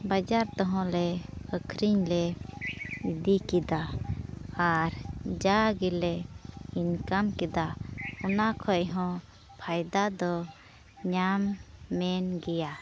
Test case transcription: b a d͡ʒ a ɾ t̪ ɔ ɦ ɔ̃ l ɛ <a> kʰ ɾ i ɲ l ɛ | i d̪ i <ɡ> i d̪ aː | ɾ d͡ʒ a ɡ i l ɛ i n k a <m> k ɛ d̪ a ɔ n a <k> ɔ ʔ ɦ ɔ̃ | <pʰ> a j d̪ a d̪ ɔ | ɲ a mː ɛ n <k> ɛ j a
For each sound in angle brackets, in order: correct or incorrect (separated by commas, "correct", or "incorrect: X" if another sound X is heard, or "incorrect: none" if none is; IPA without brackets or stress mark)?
incorrect: ə, incorrect: k, correct, incorrect: kʰ, correct, incorrect: ɡ